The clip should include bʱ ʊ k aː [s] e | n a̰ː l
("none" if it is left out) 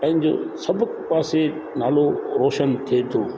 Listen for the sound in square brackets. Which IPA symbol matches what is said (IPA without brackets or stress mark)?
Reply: s